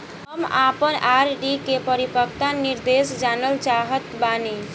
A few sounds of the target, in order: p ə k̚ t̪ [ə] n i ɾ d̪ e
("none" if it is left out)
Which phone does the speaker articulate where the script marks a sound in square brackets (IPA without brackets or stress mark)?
a